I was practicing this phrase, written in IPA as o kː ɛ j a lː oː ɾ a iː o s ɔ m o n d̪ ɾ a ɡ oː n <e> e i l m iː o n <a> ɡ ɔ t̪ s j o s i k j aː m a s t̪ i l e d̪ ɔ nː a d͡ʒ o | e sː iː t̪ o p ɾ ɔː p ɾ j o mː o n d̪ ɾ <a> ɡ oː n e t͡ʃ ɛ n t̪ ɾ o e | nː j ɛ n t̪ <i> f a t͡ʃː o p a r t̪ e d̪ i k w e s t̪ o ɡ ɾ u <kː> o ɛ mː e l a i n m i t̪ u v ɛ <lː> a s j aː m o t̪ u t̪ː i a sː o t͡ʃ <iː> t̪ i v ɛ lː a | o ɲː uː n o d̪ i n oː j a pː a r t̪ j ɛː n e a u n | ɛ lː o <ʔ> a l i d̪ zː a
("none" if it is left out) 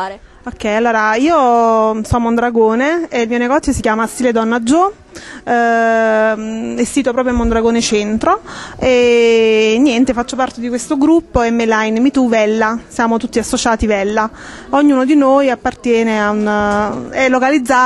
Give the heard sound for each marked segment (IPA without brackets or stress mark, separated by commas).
e, e, a, e, pː, lː, aː, k